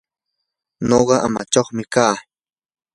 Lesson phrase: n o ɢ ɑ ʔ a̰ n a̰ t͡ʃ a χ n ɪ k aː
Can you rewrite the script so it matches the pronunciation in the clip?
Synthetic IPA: n o ɢ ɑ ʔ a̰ m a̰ t͡ʃ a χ m ɪ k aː